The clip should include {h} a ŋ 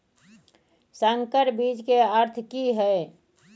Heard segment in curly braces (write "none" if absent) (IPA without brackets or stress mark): s